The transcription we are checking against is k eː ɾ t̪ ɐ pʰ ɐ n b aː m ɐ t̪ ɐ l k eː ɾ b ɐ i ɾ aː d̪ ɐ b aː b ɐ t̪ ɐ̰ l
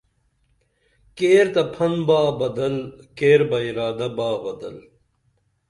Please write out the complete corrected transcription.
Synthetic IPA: k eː ɾ t̪ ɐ pʰ ɐ n b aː b ɐ d̪ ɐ l k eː ɾ b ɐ i ɾ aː d̪ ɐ b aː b ɐ d̪ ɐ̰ l